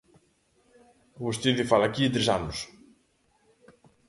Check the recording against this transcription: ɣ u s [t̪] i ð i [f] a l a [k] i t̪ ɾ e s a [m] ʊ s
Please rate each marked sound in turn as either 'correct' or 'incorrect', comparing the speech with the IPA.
correct, correct, correct, incorrect

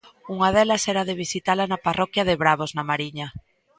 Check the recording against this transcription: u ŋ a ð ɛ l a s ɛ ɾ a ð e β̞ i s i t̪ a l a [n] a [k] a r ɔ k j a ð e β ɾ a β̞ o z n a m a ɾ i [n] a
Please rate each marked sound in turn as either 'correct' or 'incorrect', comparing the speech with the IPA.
correct, incorrect, incorrect

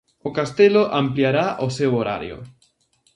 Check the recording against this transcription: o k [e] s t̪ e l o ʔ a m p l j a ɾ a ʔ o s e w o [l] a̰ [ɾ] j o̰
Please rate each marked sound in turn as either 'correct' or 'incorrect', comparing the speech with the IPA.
incorrect, incorrect, correct

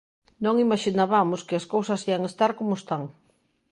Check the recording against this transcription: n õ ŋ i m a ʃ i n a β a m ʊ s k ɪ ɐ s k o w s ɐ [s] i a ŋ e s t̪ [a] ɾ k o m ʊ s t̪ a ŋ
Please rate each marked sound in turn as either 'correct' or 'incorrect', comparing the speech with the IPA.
correct, correct

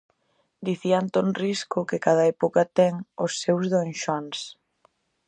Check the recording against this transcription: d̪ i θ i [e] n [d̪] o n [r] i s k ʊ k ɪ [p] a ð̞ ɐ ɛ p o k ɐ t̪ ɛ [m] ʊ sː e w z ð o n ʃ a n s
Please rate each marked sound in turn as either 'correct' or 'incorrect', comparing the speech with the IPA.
incorrect, incorrect, correct, incorrect, incorrect

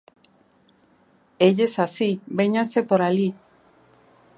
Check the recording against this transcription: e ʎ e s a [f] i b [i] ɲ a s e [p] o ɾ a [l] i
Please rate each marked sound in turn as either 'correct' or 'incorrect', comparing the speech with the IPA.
incorrect, incorrect, correct, correct

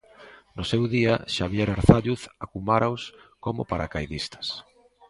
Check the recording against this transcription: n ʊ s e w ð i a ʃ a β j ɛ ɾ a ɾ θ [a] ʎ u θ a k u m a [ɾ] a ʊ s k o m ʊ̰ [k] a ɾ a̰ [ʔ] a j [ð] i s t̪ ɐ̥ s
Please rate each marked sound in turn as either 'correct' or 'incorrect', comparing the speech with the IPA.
correct, correct, incorrect, incorrect, correct

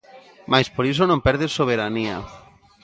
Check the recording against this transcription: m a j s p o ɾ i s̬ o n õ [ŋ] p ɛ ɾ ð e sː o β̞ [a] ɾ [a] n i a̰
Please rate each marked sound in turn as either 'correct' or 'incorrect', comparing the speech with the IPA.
incorrect, incorrect, correct

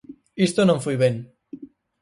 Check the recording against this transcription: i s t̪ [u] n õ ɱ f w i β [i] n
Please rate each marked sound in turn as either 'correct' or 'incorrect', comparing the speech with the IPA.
incorrect, incorrect

